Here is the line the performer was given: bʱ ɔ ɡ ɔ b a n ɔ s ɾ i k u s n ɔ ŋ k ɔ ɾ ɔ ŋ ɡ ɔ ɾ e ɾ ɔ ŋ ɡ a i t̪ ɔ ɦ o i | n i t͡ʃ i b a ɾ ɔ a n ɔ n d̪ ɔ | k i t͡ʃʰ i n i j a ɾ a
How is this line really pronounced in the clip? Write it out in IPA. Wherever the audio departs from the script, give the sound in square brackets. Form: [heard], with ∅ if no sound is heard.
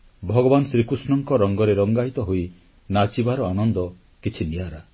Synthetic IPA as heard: bʱ ɔ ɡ ɔ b a n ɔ s ɾ i k u s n ɔ ŋ k ɔ ɾ ɔ ŋ ɡ ɔ ɾ e ɾ ɔ ŋ ɡ a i t̪ ɔ ɦ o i | n [a] t͡ʃ i b a ɾ ɔ a n ɔ n d̪ ɔ | k i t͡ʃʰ i n i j a ɾ a